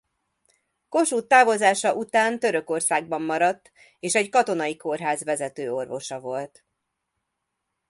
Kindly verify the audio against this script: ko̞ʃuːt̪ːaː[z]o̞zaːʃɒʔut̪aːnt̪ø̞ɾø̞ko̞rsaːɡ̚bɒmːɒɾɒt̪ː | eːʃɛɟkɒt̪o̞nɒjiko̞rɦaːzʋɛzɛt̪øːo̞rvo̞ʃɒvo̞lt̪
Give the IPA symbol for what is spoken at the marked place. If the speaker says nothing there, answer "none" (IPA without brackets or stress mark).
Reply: v